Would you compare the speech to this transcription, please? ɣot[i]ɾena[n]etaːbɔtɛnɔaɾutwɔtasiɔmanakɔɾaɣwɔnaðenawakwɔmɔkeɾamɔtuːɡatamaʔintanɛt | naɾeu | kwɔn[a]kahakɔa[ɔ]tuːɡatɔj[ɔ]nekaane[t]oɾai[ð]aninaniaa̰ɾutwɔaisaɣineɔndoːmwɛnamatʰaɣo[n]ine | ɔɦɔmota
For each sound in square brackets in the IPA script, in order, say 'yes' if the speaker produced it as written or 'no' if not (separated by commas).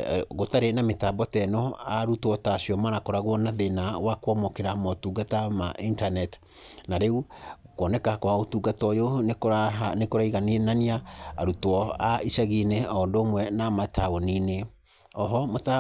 no, no, no, no, no, no, no, yes